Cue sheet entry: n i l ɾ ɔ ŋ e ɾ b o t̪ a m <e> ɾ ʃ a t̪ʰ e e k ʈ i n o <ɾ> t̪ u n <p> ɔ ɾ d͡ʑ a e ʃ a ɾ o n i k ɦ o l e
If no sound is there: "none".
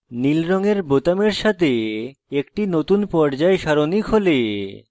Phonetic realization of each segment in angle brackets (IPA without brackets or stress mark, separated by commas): e, none, p